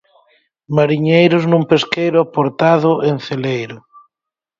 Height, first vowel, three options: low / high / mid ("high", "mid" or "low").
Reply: low